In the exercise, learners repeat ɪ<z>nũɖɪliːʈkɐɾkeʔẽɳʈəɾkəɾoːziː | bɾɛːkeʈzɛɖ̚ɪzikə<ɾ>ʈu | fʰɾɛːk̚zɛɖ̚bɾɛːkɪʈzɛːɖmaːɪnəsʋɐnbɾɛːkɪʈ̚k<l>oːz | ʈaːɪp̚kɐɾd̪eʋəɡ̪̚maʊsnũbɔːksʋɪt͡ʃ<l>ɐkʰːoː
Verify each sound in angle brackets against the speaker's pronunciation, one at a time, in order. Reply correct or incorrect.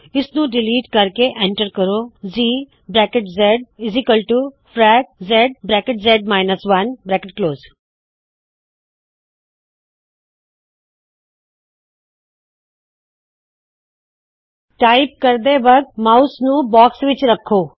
incorrect, incorrect, correct, incorrect

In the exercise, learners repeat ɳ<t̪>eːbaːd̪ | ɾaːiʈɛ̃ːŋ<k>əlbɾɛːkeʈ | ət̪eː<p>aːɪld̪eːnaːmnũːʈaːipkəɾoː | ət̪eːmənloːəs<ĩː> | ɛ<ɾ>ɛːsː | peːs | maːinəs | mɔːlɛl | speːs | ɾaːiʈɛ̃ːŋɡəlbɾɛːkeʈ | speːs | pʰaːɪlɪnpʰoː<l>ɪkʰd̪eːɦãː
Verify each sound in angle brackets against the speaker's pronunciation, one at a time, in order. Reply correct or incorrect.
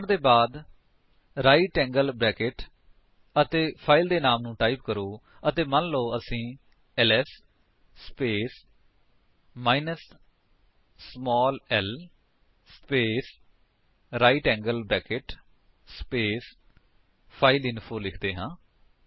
incorrect, incorrect, incorrect, correct, incorrect, correct

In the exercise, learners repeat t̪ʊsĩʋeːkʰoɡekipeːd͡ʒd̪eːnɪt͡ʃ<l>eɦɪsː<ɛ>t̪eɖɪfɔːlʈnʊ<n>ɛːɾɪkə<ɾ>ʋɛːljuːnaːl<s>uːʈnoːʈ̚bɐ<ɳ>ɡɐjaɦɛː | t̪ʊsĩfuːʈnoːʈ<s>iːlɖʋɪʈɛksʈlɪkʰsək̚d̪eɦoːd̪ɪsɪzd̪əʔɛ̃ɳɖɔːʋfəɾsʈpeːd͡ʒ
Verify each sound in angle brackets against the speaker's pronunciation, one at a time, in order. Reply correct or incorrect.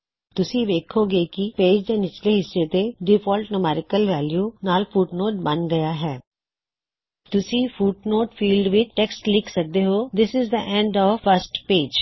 correct, incorrect, incorrect, incorrect, incorrect, incorrect, incorrect

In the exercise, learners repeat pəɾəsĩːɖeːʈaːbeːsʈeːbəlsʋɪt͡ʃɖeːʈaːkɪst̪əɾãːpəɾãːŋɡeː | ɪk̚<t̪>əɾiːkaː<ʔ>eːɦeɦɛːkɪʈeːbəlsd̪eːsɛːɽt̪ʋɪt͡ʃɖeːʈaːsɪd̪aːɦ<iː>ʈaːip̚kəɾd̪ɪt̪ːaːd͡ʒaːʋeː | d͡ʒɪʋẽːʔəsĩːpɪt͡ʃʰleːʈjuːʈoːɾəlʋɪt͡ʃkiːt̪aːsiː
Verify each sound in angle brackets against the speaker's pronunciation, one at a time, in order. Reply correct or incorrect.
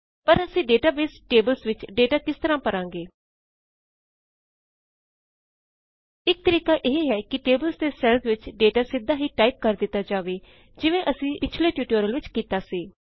correct, correct, correct

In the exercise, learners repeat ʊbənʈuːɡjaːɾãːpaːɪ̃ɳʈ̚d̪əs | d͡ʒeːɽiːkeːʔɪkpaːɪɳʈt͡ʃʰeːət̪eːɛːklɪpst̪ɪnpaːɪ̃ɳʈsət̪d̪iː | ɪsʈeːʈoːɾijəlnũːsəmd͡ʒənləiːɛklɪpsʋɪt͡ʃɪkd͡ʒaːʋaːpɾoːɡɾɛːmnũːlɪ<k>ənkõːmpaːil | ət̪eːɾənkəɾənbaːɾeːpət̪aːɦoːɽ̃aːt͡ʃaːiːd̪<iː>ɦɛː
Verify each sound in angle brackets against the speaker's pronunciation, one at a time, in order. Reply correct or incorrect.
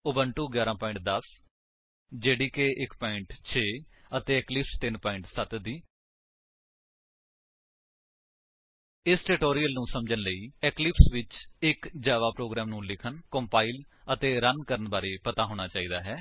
incorrect, incorrect

